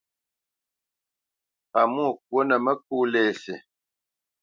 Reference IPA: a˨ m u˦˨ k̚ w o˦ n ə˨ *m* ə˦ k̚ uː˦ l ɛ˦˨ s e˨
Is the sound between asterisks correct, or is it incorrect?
correct